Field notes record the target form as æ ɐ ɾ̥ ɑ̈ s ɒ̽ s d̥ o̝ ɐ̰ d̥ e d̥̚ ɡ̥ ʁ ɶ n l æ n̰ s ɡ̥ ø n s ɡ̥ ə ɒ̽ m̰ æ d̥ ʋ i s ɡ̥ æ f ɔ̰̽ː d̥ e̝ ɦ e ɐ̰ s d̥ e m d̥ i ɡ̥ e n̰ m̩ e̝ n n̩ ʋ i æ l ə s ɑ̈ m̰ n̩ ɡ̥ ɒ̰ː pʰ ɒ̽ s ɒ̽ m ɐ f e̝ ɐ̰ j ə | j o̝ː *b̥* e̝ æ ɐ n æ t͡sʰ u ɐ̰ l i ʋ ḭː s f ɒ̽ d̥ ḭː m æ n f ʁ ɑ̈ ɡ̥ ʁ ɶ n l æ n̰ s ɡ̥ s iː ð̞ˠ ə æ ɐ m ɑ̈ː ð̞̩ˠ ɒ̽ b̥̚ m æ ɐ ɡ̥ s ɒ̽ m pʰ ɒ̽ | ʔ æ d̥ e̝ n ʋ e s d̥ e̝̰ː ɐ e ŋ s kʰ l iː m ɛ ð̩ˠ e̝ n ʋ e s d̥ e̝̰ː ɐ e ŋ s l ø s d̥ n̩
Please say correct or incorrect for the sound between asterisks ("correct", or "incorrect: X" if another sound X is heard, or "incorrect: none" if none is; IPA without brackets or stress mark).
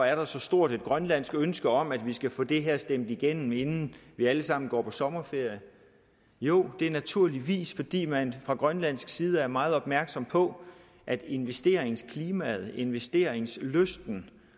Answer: incorrect: d̥